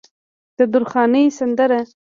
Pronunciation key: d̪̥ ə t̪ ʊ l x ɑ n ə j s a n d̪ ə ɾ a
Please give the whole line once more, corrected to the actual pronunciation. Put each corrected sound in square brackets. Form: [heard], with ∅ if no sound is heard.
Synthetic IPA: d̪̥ ə [d̪] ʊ [ɾ] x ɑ n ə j s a n d̪ ə ɾ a